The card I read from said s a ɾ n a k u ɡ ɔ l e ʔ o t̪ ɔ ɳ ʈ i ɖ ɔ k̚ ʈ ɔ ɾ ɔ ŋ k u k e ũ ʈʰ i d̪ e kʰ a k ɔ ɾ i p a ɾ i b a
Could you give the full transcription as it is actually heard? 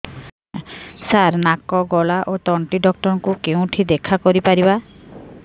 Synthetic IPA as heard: s a ɾ n a k ɔ ɡ ɔ l a ʔ o t̪ ɔ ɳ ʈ i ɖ ɔ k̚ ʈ ɔ ɾ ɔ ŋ k u k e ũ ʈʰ i d̪ e kʰ a k ɔ ɾ i p a ɾ i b a